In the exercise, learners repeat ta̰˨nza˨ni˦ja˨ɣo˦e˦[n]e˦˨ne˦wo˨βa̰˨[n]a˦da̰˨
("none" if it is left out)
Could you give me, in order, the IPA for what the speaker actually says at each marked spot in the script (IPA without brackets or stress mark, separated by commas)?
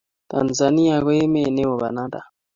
m, n